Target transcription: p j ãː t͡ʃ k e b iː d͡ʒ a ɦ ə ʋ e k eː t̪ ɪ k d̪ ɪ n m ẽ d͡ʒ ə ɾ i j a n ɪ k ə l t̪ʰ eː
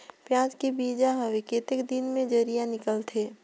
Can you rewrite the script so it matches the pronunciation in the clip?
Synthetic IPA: p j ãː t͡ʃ k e b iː d͡ʒ a ɦ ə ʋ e k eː t̪ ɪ k d̪ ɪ n m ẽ d͡ʒ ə ɾ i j a n ɪ k ə l t̪ʰ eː